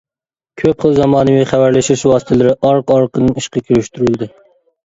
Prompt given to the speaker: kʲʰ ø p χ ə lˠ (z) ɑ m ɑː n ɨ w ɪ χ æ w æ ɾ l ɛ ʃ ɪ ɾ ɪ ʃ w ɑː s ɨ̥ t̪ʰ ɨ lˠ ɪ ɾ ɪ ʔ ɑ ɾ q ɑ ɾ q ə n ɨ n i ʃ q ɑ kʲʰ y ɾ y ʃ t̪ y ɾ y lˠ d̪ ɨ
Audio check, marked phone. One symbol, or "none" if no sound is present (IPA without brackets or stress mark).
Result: z